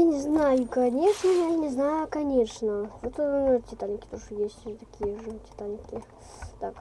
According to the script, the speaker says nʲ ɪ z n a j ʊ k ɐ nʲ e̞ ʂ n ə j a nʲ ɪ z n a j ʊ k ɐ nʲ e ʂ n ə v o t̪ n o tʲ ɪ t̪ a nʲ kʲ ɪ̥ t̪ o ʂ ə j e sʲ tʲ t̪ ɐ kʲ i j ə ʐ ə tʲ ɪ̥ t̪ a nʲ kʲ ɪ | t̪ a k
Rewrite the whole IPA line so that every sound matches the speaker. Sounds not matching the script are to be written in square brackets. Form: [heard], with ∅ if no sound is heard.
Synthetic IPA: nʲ ɪ z n a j ʊ k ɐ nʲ e̞ ʂ n ə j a nʲ ɪ z n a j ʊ k ɐ nʲ e ʂ n ə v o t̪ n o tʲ ɪ t̪ a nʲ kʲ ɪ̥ t̪ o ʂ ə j e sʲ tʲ t̪ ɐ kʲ i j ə ʐ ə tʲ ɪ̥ t̪ a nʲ kʲ ɪ | t̪ a k